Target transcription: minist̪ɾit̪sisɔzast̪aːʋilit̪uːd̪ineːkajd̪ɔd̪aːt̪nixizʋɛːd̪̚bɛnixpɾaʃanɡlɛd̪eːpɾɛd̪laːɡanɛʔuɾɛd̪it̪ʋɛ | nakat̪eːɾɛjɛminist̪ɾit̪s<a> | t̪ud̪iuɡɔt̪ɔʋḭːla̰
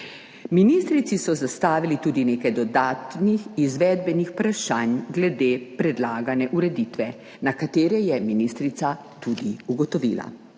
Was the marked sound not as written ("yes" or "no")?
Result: no